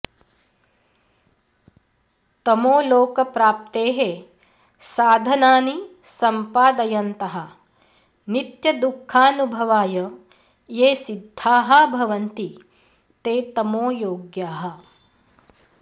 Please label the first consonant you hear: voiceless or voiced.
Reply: voiceless